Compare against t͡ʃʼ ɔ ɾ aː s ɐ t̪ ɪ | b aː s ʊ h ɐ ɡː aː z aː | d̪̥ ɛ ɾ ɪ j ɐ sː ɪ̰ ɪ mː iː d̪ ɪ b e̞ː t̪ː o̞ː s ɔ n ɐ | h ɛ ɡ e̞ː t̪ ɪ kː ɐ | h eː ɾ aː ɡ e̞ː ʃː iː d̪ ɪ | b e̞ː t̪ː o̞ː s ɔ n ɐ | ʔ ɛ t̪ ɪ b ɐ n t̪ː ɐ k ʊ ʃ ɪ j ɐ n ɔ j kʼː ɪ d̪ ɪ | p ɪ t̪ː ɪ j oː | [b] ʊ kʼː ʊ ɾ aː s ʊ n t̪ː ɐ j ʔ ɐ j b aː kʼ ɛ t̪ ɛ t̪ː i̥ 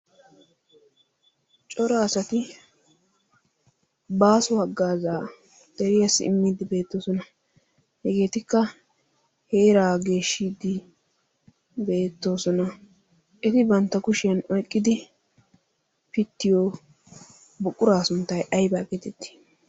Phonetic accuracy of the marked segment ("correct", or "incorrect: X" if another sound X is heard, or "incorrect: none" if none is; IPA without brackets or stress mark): correct